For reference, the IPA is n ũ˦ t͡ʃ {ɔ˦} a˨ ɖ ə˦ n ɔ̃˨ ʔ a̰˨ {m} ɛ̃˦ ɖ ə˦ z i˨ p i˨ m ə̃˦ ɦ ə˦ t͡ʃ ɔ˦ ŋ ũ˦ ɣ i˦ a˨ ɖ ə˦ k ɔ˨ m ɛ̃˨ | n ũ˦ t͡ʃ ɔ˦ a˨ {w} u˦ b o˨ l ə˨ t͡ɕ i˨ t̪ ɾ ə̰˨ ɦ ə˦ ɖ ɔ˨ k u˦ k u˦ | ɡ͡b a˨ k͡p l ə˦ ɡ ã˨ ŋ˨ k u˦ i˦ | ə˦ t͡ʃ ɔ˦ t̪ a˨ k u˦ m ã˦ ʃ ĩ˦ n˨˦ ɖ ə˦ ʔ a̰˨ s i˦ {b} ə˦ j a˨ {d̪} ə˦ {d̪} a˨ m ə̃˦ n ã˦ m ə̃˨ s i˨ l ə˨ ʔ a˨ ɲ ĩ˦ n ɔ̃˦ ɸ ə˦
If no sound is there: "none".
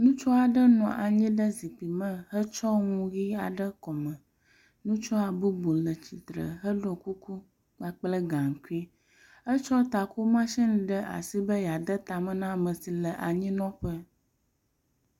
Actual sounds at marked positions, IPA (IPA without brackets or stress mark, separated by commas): ɔ˦, ɲ, b, b, d̪, t̪